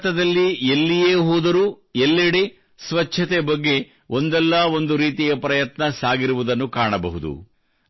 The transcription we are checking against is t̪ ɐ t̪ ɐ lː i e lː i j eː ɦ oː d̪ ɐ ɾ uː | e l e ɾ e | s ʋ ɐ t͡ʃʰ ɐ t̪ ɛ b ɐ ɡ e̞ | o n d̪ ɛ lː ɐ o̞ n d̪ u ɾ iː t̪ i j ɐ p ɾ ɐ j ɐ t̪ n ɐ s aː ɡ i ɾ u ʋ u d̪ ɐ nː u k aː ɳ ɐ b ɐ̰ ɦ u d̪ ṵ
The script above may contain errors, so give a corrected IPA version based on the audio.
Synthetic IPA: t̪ ɐ d̪ ɐ lː i e lː i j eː ɦ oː d̪ ɐ ɾ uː | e lː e ɽ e | s ʋ ɐ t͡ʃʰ ɐ t̪ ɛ b ɐ ɡː e̞ | o n d̪ ɛ lː ɐ o̞ n d̪ u ɾ iː t̪ i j ɐ p ɾ ɐ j ɐ t̪ n ɐ s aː ɡ i ɾ u ʋ u d̪ ɐ nː u k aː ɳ ɐ b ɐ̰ ɦ u d̪ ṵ